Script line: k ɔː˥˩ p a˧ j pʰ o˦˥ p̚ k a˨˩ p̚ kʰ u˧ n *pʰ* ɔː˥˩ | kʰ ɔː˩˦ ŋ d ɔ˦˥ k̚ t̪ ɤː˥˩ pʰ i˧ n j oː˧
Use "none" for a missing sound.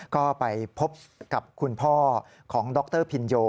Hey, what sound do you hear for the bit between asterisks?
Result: pʰ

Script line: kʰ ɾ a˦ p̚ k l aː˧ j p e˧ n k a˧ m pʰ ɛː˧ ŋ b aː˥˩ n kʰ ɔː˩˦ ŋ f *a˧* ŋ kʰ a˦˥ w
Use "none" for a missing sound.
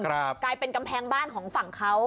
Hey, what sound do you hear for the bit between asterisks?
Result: a˨˩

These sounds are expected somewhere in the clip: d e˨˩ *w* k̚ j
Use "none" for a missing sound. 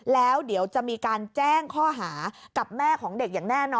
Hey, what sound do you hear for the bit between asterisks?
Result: none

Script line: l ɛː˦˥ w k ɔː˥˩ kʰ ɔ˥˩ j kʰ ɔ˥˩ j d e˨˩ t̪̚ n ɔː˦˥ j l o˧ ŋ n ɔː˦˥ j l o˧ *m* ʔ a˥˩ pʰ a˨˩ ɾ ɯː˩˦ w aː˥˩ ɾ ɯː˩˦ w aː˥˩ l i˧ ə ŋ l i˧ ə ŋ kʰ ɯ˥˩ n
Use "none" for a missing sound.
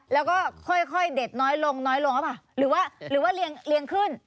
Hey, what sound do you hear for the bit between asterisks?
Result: ŋ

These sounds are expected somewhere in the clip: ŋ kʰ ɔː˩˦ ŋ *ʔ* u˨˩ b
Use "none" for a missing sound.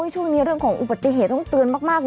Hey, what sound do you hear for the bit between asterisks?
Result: ʔ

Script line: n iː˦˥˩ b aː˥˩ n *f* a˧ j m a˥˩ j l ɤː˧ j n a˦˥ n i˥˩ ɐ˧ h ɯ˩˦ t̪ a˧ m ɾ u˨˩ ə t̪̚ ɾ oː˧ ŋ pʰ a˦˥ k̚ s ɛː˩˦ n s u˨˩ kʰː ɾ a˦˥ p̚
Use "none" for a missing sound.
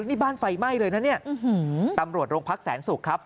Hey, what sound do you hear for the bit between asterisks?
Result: f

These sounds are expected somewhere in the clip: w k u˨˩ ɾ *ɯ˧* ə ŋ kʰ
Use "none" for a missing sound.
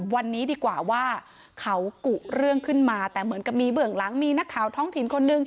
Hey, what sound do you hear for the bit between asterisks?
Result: ɯ˥˩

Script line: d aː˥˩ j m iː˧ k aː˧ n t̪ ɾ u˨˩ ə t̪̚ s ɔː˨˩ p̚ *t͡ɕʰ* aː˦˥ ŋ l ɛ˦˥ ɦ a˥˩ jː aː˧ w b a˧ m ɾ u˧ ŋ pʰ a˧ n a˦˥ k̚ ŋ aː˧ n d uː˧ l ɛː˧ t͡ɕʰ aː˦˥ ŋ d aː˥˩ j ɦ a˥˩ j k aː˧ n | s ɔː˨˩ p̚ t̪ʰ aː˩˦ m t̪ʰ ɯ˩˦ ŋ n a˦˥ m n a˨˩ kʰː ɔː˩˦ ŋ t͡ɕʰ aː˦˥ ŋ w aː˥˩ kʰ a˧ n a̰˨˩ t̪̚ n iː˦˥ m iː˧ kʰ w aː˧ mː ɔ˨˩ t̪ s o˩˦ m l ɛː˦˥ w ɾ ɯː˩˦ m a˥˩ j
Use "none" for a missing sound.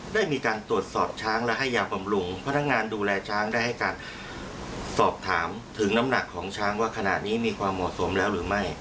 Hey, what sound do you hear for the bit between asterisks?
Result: t͡ɕʰ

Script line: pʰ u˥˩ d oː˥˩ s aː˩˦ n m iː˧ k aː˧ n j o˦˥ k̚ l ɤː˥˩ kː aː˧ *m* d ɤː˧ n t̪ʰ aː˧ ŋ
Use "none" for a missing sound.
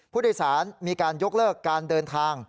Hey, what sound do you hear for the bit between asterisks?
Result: n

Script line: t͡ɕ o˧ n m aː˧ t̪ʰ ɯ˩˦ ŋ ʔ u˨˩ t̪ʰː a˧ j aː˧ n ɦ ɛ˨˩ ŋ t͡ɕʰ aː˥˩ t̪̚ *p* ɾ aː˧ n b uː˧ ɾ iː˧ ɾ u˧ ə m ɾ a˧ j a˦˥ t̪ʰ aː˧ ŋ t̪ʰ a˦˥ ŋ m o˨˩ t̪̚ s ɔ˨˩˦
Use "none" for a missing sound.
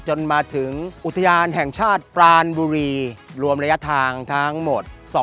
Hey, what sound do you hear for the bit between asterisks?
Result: p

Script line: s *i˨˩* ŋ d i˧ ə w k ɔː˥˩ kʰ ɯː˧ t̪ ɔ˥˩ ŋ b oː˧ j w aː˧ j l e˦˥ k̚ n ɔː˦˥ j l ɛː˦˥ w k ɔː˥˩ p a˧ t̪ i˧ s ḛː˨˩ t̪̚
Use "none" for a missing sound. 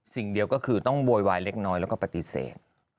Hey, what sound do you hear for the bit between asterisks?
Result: i˨˩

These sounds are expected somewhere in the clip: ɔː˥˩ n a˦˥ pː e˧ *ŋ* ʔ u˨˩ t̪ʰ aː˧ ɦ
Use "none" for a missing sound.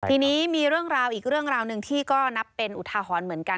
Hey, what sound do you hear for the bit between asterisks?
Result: n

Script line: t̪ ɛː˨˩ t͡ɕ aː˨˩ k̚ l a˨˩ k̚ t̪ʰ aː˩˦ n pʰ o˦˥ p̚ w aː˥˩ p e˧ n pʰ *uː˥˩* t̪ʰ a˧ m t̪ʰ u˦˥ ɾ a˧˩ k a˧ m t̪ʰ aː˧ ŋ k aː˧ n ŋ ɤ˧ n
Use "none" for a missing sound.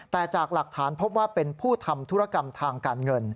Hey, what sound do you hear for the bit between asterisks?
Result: uː˥˩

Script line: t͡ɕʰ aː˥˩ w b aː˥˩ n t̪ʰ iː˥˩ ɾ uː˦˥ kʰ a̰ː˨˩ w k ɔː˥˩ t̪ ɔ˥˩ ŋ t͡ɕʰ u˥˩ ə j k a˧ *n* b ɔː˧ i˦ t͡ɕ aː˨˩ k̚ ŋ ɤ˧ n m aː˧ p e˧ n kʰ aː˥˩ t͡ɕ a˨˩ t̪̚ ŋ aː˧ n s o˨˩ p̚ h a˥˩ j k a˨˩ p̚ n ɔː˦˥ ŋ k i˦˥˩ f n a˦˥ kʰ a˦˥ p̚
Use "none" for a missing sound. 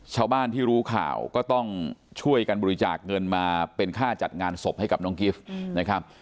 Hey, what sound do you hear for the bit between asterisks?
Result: n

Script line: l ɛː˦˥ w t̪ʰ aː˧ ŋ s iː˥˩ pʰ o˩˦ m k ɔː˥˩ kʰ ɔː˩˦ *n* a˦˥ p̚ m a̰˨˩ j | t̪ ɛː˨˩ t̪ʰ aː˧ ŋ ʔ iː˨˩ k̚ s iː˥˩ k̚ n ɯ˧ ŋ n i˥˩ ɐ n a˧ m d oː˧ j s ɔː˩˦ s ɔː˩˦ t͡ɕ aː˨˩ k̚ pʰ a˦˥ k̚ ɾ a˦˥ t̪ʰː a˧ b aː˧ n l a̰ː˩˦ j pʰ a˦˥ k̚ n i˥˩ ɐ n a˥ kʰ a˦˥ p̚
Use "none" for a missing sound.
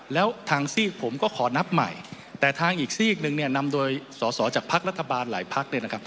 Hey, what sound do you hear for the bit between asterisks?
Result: n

